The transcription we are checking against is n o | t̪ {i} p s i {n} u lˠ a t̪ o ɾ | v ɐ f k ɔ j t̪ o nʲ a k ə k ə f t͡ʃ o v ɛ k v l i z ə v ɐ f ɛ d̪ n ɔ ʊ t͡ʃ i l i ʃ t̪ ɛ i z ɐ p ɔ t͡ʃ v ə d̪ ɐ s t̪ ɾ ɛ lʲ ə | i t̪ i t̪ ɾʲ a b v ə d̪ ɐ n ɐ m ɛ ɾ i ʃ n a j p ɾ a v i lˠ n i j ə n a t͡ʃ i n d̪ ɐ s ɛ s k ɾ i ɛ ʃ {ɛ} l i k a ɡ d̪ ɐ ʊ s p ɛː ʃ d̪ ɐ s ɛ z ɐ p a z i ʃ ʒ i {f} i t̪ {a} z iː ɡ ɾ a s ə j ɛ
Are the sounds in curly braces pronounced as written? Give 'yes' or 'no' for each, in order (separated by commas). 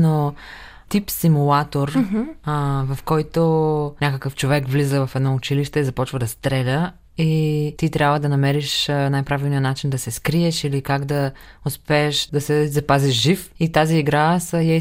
yes, no, no, yes, yes